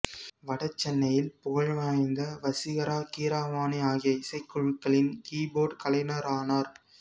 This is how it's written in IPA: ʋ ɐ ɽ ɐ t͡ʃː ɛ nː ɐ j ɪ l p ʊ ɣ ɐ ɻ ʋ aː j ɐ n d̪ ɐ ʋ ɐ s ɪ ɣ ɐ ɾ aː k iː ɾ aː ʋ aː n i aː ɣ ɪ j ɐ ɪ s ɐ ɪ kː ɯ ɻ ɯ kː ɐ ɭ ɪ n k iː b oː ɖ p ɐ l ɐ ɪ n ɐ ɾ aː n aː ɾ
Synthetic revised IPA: ʋ ɐ ɽ ɐ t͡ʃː ɛ nː ɐ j ɪ l p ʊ ɣ ɐ ɻ ʋ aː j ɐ n d̪ ɐ ʋ ɐ s ɪ ɣ ɐ ɾ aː k iː ɾ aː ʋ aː n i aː ɣ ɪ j ɐ ɪ s ɐ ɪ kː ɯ ɻ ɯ kː ɐ ɭ ɪ n k iː b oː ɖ k ɐ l ɐ ɪ n ɐ ɾ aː n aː ɾ